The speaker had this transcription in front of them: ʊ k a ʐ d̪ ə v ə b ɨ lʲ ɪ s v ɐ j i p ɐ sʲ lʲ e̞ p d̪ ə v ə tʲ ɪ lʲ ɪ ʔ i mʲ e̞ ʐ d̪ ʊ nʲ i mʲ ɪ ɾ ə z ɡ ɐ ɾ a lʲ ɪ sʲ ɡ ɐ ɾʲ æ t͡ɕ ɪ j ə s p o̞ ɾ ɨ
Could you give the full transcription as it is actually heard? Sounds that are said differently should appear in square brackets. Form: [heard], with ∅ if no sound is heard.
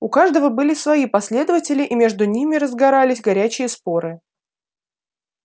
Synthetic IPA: ʊ k a ʐ d̪ ə v ə b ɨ lʲ ɪ s v ɐ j i p ɐ sʲ lʲ e̞ [∅] d̪ ə v ə tʲ ɪ lʲ ɪ ʔ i mʲ e̞ ʐ d̪ ʊ nʲ i mʲ ɪ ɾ ə z ɡ ɐ ɾ a lʲ ɪ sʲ ɡ ɐ ɾʲ æ t͡ɕ ɪ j ə s p o̞ ɾ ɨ